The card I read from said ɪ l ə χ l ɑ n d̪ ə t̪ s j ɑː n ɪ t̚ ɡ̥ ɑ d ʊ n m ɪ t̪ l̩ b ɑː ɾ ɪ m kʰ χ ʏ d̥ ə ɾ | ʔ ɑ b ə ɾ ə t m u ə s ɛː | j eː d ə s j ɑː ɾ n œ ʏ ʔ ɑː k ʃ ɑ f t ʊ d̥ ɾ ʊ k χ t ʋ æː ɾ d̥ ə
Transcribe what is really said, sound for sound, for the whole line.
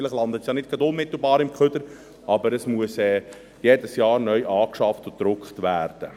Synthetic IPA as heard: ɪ l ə χ l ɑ n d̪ ə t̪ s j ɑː n ɪ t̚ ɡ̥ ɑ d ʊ n m ɪ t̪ l̩ b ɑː ɾ ɪ m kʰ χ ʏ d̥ ə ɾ | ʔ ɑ b ə ɾ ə s m u ə s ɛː | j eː d ə s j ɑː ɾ n œ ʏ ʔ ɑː k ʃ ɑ f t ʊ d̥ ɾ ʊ k χ t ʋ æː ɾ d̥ ə